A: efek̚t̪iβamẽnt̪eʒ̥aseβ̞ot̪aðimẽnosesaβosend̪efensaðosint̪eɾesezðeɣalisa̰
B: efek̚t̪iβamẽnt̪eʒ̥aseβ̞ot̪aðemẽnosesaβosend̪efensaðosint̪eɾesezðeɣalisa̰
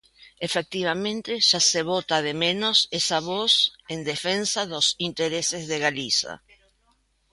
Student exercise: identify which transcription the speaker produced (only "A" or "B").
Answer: B